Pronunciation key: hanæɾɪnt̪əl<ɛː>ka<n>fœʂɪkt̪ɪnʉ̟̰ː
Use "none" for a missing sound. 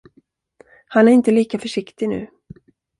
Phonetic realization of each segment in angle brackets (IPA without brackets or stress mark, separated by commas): iː, none